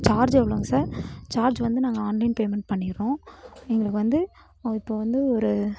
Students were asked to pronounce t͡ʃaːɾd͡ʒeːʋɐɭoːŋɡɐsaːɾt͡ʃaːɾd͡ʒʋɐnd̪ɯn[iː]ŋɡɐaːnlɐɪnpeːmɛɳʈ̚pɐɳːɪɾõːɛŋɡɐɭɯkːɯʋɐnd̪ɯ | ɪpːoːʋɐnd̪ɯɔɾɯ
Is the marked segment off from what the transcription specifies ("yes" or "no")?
yes